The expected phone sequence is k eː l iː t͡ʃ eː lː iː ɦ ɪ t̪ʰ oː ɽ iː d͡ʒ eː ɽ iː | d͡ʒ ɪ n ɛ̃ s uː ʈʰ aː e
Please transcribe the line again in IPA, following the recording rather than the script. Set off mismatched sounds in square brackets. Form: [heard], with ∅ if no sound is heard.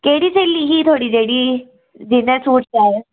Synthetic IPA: k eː [ɽ] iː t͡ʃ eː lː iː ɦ [i] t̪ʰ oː ɽ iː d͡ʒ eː ɽ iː | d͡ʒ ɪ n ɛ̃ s uː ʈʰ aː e